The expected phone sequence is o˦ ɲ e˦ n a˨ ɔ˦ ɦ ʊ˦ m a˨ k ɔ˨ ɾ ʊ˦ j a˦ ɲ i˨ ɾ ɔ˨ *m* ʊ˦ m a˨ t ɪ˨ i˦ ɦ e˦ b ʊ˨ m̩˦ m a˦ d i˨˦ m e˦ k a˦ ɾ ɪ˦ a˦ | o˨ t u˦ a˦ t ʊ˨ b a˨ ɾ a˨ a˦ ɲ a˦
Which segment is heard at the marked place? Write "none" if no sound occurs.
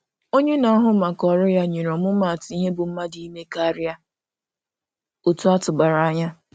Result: m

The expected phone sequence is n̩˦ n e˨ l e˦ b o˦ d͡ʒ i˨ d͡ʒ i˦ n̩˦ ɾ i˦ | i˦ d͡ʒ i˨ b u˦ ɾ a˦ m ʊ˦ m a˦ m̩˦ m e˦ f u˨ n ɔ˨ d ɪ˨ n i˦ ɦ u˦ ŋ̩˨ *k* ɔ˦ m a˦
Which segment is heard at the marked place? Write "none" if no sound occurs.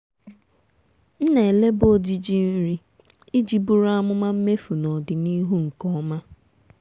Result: k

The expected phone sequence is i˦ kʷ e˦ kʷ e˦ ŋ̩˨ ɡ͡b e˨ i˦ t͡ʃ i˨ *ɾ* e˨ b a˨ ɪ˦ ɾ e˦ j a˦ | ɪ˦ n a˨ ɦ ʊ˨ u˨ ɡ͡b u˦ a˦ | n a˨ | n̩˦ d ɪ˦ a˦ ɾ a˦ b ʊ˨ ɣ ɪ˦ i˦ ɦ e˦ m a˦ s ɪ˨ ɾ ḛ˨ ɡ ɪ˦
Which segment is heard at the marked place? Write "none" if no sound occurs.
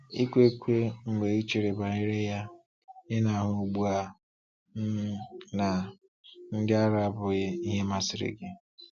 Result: ɾ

